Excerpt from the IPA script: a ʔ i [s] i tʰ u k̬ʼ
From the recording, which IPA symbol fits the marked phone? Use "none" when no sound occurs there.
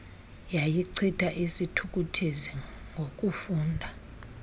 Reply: s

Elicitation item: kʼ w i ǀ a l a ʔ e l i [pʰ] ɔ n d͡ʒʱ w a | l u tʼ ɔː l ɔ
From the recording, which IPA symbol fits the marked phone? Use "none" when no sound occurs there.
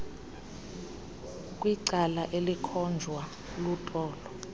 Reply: kʰ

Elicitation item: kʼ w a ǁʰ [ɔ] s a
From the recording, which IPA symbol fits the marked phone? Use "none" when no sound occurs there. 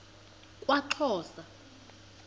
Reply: ɔː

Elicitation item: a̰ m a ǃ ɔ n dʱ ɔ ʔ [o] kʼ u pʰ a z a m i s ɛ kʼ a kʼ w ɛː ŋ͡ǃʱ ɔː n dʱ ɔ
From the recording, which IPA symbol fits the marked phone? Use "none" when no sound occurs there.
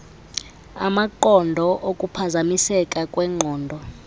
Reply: o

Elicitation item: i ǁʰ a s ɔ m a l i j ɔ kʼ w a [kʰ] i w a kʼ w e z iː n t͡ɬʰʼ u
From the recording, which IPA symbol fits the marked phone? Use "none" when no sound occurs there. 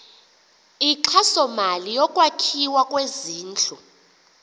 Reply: kʰ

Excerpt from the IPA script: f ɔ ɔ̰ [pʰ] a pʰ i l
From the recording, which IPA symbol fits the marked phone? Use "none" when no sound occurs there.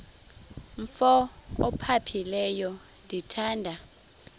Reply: pʰ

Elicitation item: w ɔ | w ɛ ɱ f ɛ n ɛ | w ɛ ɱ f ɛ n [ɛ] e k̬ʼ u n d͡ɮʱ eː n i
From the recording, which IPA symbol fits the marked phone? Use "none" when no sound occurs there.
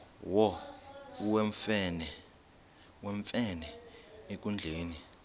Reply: ɛ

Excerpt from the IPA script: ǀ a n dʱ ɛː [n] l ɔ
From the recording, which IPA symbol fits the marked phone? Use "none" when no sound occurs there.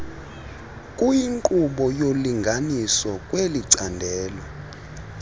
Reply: none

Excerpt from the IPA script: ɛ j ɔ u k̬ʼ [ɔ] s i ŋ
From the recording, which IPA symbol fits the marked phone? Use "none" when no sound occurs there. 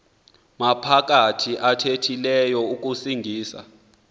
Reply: u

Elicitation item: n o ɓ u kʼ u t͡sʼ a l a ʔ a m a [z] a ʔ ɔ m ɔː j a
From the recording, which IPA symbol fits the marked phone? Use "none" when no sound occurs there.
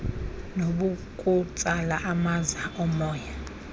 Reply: z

